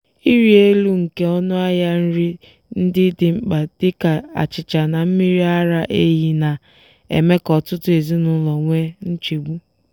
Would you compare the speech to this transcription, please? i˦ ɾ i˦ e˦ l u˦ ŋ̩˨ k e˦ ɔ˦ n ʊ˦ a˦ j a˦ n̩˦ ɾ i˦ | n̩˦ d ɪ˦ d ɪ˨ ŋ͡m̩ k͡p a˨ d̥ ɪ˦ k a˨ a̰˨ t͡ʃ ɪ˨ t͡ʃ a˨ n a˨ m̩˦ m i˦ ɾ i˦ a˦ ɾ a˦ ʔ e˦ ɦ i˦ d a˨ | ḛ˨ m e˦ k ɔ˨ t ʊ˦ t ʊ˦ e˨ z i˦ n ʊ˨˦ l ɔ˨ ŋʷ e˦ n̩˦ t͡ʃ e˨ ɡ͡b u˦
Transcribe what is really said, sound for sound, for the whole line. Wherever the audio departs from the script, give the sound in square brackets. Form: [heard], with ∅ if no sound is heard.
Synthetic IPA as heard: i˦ ɾ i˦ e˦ l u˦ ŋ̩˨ k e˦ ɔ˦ n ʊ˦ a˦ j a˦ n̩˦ ɾ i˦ | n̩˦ d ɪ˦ d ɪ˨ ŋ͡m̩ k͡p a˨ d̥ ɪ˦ k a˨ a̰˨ t͡ʃ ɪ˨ t͡ʃ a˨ n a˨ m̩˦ m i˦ ɾ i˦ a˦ ɾ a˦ ʔ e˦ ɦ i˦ [n] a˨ | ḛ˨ m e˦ k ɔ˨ t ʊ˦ t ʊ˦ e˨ z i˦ n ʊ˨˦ l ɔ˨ ŋʷ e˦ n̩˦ t͡ʃ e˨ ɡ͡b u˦

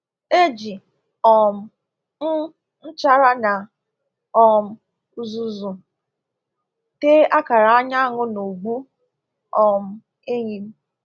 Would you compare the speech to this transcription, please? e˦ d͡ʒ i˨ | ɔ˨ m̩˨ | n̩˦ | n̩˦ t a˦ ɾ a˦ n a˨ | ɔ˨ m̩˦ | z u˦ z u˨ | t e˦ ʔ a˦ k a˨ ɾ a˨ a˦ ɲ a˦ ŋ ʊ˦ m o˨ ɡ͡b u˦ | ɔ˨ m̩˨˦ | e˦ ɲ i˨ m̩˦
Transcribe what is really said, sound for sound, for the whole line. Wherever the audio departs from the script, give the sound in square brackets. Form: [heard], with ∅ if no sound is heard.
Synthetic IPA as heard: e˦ d͡ʒ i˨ | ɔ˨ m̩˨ | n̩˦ | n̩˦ [t͡ʃ] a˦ ɾ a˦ n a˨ | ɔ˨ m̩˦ | z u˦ z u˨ | t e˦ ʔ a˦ k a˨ ɾ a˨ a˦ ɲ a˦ ŋ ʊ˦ [n] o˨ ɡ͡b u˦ | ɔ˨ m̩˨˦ | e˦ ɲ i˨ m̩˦

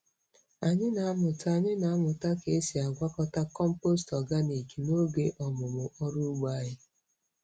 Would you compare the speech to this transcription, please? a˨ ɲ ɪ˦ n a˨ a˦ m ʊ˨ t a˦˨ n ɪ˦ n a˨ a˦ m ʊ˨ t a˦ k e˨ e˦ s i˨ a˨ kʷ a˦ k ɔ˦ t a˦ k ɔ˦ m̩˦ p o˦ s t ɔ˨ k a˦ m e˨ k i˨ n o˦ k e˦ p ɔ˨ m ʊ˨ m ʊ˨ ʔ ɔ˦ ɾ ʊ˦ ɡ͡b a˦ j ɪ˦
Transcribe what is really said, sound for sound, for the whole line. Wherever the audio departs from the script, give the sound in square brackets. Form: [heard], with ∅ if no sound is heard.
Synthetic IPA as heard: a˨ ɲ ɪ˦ n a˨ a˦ m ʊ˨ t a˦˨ [ɲ] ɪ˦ n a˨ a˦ m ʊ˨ t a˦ k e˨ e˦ s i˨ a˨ [ɡʷ] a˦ k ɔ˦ t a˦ k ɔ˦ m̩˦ p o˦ s t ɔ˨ [ɡ] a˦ [n] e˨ k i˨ n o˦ [ɡ] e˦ [ʔ] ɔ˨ m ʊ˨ m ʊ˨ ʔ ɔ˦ ɾ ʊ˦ ɡ͡b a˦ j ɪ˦

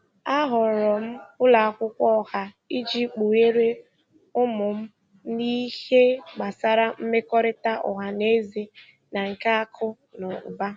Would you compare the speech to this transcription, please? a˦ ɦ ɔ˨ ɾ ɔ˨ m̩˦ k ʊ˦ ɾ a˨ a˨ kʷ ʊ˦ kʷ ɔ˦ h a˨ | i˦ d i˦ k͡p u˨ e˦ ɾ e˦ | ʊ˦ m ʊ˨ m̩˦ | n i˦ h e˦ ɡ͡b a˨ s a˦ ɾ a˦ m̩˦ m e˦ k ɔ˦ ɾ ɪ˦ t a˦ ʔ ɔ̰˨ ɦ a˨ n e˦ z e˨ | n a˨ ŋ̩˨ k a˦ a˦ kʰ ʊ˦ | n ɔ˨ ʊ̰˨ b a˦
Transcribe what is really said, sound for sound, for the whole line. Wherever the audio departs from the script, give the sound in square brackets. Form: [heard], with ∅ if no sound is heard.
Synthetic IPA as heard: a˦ ɦ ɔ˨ ɾ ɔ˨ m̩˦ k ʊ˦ [l] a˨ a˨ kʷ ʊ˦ kʷ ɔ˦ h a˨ | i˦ [d͡ʒ] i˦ k͡p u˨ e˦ ɾ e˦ | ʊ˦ m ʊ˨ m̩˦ | n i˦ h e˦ ɡ͡b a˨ s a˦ ɾ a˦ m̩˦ m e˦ k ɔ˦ ɾ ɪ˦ t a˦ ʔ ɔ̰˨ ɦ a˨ n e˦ z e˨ | n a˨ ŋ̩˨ k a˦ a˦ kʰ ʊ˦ | n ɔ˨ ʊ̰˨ b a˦

